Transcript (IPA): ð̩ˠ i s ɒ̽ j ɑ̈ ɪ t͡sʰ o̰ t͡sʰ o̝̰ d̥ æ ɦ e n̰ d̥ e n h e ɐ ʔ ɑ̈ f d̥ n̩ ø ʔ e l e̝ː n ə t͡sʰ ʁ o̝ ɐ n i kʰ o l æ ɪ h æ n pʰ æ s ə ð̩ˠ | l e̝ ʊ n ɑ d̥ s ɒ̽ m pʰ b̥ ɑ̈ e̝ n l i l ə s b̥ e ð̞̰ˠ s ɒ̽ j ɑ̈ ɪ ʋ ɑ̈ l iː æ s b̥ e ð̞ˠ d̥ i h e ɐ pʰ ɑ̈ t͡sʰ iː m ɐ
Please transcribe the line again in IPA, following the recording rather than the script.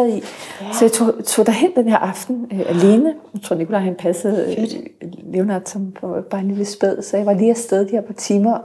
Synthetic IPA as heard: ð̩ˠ i s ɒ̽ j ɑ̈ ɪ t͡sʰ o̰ t͡sʰ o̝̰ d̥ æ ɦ e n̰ d̥ e n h e ɐ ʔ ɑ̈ f d̥ n̩ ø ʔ æ l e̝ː n ə t͡sʰ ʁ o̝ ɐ n i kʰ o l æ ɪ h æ n pʰ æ s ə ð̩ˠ | l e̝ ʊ n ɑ d̥ s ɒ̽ m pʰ b̥ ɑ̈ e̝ n l i l ə s b̥ e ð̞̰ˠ s ɒ̽ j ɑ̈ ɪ ʋ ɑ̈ l iː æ s d̥ e ð̞ˠ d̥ i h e ɐ pʰ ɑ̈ t͡sʰ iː m ɐ